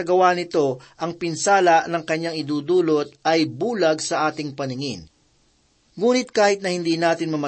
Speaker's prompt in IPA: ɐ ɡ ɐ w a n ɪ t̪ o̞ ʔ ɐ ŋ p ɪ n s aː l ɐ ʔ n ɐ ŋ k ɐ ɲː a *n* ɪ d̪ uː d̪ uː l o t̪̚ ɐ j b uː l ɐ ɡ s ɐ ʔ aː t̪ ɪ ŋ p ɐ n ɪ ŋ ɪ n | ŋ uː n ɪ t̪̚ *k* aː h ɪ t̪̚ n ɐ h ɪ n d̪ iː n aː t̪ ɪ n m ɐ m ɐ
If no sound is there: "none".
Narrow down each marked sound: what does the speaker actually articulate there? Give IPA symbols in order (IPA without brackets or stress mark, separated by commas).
ŋ, k